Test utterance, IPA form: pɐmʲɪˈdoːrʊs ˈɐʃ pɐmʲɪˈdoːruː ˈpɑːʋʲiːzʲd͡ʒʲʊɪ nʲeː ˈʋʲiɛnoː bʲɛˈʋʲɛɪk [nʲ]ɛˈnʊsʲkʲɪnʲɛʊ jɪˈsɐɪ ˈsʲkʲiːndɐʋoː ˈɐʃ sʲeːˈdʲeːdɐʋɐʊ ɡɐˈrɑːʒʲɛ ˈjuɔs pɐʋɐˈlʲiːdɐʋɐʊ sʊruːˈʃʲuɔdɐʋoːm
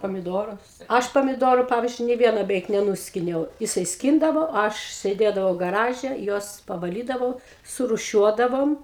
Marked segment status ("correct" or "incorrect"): correct